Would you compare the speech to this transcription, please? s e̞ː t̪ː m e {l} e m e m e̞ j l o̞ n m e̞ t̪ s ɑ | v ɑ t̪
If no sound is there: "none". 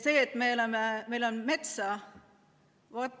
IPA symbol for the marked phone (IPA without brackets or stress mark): l